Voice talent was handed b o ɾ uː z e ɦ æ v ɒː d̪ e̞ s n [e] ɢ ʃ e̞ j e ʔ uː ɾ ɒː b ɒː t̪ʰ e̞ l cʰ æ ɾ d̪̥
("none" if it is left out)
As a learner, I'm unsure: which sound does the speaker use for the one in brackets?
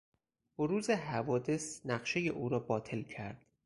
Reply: æ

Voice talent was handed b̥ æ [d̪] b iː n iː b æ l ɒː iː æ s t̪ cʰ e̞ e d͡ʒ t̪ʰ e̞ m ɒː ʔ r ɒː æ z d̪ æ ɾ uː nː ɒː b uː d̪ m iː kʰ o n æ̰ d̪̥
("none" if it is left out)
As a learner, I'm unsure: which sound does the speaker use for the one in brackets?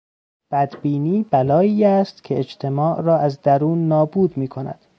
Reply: d̪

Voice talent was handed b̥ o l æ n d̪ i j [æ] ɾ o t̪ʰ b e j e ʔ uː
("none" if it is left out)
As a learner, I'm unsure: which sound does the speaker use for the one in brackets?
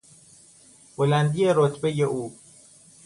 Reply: e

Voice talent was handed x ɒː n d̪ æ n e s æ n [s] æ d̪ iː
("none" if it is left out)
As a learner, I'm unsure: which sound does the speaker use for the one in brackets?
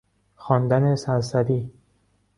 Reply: s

